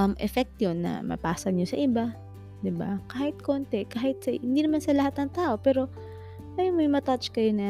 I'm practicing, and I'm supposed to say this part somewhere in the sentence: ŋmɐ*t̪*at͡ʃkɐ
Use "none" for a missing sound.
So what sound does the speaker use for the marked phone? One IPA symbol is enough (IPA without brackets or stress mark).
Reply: t̪